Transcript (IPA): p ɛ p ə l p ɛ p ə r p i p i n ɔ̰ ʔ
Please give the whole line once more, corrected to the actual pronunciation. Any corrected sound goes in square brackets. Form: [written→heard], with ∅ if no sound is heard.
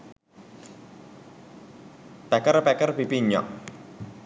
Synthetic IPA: p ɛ [p→k] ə [l→r] p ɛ [p→k] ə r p i p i [n→ɲ] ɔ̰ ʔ